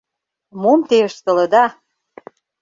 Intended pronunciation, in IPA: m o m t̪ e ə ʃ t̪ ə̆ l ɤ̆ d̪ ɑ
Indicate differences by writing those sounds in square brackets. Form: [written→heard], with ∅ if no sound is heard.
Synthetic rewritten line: m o m t̪ e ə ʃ t̪ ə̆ l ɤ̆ d̪ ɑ